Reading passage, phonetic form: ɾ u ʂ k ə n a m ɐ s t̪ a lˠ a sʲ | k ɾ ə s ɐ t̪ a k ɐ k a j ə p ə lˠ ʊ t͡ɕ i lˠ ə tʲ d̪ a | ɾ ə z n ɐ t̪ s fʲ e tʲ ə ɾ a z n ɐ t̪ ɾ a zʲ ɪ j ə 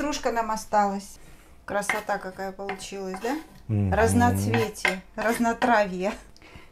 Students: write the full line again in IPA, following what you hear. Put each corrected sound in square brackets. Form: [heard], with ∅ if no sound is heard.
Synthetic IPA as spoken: ɾ u ʂ k ə n a m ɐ s t̪ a lˠ [ə] sʲ | k ɾ ə s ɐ t̪ a k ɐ k a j ə p ə lˠ ʊ t͡ɕ i lˠ ə [sʲ] d̪ a | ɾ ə z n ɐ t̪ s [vʲ] e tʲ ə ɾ [ə] z n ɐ t̪ ɾ a [vʲ] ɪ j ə

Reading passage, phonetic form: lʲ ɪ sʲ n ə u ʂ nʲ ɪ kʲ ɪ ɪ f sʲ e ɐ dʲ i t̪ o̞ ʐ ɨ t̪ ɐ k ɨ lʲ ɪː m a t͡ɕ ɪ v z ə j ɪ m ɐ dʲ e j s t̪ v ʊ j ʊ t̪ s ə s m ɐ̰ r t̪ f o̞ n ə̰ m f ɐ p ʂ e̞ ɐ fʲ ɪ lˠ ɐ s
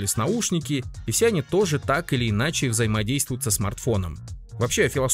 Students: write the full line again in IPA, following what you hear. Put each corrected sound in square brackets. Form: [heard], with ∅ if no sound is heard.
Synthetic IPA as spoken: lʲ ɪ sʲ n [ɐ] u ʂ nʲ ɪ kʲ ɪ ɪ f sʲ e ɐ [nʲ] i t̪ o̞ ʐ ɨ t̪ [a] k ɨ lʲ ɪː [n] a t͡ɕ ɪ v z ə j ɪ m ɐ dʲ e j s t̪ v ʊ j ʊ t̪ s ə s m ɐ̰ r t̪ f o̞ n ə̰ m [v] ɐ p [ɕ] e̞ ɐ fʲ ɪ lˠ ɐ s

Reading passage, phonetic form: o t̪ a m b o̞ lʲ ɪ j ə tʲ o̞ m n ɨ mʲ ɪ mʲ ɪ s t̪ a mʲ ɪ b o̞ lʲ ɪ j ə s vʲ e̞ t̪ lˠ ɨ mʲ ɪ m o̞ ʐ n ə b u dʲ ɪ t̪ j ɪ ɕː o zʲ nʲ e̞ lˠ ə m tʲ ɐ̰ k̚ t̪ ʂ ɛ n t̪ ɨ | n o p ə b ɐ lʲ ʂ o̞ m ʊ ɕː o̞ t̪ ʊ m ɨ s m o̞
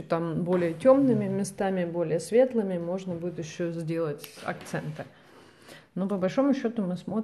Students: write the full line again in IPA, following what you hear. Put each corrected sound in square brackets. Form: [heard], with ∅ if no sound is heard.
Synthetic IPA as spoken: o t̪ a m b o̞ lʲ ɪ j ə tʲ o̞ m n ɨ mʲ ɪ mʲ ɪ s t̪ a mʲ ɪ b o̞ lʲ ɪ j ə s vʲ e̞ t̪ lˠ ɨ mʲ ɪ m o̞ ʐ n ə b u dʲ ɪ t̪ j ɪ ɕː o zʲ [dʲ] e̞ lˠ ə [∅] tʲ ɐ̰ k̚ t̪ [s] ɛ n t̪ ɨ | n o p ə b ɐ lʲ ʂ o̞ m ʊ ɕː o̞ t̪ ʊ m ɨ s m o̞

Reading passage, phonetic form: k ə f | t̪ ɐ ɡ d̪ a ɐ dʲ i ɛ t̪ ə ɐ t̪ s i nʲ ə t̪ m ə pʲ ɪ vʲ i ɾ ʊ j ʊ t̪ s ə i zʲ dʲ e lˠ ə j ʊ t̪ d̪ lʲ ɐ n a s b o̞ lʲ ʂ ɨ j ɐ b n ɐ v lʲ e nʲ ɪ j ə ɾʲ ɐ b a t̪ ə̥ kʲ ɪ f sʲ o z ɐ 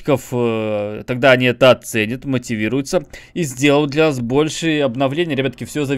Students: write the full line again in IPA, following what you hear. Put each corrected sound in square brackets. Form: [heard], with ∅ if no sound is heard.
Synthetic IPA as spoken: k ə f | t̪ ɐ ɡ d̪ a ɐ [nʲ] i ɛ t̪ ə ɐ t̪ s [ɛ] nʲ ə t̪ m ə [tʲ] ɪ vʲ i ɾ ʊ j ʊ t̪ s ə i zʲ dʲ e lˠ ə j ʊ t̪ d̪ lʲ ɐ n a s b o̞ lʲ ʂ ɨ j ɐ b n ɐ v lʲ e nʲ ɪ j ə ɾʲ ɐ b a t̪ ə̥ kʲ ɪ f sʲ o z ɐ

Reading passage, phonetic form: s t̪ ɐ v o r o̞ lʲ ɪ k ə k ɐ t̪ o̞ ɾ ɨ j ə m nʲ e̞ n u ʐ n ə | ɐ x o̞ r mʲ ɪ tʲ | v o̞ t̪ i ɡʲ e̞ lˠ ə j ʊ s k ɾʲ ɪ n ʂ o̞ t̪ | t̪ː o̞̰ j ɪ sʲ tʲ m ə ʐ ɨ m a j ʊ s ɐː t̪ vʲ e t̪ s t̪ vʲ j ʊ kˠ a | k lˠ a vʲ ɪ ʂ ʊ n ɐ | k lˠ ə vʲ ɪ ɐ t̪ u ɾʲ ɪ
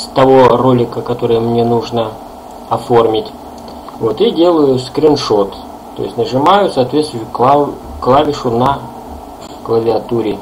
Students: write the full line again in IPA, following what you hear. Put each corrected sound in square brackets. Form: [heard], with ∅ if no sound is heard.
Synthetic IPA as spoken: s t̪ ɐ v o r o̞ lʲ ɪ k ə k ɐ t̪ o̞ ɾ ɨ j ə m nʲ e̞ n u ʐ n ə | ɐ [f] o̞ r mʲ ɪ tʲ | v o̞ t̪ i [dʲ] e̞ lˠ ə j ʊ s k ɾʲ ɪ n ʂ o̞ t̪ | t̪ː o̞̰ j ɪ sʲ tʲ [n] ə ʐ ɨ m a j ʊ s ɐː t̪ vʲ e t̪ s t̪ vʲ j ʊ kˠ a | k lˠ a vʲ ɪ ʂ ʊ n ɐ | k lˠ ə vʲ ɪ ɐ t̪ u ɾʲ ɪ

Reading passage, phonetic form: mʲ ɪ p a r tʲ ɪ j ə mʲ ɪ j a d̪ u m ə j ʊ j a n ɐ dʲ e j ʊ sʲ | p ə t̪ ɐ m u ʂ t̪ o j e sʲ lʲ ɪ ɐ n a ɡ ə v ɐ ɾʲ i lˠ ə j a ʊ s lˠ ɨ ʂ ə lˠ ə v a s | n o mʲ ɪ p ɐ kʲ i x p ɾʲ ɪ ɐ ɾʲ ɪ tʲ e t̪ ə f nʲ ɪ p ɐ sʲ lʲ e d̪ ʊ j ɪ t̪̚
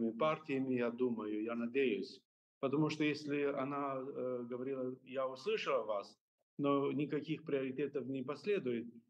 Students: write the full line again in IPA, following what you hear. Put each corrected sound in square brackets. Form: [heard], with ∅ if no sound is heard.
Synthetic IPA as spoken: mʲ ɪ p a r tʲ ɪ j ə mʲ ɪ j a d̪ u m ə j ʊ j a n ɐ dʲ e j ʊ sʲ | p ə t̪ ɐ m u ʂ t̪ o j e sʲ lʲ ɪ ɐ n a ɡ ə v ɐ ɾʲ i lˠ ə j a ʊ s lˠ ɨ ʂ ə lˠ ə v a s | n o [nʲ] ɪ [k] ɐ kʲ i x p ɾʲ ɪ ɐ ɾʲ ɪ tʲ e t̪ ə f nʲ ɪ p ɐ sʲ lʲ e d̪ ʊ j ɪ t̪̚

